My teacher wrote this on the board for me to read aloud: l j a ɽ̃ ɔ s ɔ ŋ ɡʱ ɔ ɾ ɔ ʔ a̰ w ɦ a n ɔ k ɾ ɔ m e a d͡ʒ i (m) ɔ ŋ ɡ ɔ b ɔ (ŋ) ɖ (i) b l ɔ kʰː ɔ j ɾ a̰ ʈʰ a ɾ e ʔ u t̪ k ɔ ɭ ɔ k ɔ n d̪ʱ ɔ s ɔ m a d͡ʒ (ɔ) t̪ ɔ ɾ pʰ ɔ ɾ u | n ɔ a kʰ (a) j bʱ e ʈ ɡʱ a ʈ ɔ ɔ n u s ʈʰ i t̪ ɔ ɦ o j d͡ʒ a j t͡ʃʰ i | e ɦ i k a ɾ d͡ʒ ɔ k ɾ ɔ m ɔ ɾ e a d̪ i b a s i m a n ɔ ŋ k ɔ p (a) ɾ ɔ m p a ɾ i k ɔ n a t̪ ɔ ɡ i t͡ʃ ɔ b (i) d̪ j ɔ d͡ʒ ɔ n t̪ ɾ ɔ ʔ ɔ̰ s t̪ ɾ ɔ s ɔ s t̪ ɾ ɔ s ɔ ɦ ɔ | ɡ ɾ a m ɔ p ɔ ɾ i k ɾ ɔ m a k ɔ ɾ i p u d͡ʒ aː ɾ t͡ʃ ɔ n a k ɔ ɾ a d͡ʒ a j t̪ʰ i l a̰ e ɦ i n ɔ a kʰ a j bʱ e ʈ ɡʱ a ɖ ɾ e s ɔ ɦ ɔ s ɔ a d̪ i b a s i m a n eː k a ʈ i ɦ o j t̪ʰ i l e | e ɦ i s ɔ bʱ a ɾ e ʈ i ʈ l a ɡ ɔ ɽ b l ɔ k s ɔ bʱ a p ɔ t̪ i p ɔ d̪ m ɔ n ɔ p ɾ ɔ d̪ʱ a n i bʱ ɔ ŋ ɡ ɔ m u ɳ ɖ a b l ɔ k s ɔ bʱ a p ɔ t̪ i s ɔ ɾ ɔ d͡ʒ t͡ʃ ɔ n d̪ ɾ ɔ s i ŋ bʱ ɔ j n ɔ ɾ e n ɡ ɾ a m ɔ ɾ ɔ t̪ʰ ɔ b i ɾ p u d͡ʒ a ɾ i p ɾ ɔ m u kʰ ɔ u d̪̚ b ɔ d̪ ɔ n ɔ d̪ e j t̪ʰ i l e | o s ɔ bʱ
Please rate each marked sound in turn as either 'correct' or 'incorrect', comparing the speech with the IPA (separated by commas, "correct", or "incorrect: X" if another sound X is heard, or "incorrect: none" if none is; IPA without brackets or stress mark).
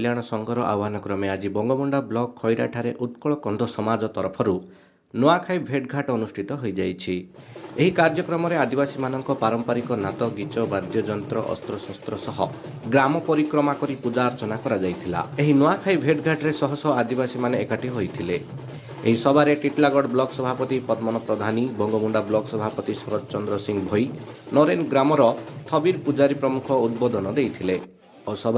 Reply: incorrect: b, incorrect: ɳ, incorrect: a, correct, correct, correct, incorrect: a